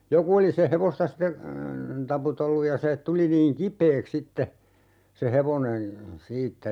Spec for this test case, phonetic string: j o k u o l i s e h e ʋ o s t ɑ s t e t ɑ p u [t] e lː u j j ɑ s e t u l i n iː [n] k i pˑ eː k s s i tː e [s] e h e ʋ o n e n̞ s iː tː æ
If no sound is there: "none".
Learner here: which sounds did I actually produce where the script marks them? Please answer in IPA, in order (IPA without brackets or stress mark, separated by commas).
t, ŋ, s